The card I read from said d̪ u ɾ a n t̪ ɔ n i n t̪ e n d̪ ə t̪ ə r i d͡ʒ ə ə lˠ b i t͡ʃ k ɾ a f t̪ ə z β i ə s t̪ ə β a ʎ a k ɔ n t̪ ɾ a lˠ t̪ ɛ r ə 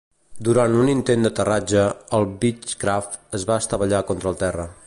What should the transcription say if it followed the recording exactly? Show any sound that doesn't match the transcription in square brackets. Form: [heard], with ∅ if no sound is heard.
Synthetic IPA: d̪ u ɾ a n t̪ [u] n i n t̪ e n d̪ ə t̪ ə r [a] d͡ʒ ə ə lˠ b i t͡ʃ k ɾ a f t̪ ə z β [a] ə s t̪ ə β [ə] ʎ a k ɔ n t̪ ɾ [ə] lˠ t̪ ɛ r ə